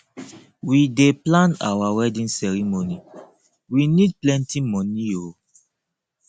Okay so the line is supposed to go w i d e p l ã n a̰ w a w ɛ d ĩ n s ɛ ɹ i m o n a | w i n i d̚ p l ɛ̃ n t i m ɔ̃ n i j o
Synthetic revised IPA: w i d e p l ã n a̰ w a w ɛ d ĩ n s ɛ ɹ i m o n i | w i n i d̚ p l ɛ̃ n t i m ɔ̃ n i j o